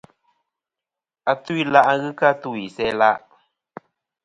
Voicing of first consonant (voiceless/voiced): voiceless